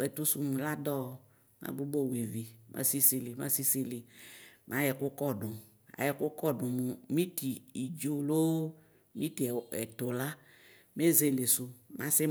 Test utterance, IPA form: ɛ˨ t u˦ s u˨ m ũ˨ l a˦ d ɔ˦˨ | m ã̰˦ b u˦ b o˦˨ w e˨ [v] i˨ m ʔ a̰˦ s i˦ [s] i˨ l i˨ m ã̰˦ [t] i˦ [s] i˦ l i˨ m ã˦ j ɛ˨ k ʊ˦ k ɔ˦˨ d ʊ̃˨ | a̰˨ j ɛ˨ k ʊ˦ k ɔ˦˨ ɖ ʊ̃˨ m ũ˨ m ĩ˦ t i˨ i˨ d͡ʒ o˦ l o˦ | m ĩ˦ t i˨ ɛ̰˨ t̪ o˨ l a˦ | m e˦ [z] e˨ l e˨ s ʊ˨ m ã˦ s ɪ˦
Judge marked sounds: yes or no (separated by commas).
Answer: yes, yes, no, yes, yes